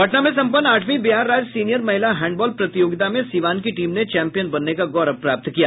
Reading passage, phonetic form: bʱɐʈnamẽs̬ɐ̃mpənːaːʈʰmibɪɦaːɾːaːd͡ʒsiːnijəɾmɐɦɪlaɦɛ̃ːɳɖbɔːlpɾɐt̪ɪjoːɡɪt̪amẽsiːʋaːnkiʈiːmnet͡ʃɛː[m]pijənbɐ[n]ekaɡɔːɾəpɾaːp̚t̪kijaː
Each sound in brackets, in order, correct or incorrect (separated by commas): correct, incorrect